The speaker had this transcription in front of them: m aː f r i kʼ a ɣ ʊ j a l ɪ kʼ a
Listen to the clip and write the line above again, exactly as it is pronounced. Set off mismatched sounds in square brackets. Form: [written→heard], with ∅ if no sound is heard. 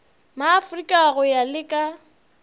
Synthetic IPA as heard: m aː f r i kʼ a ɣ ʊ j a l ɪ kʼ a